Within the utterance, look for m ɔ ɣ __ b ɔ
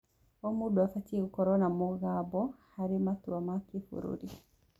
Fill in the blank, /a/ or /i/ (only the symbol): a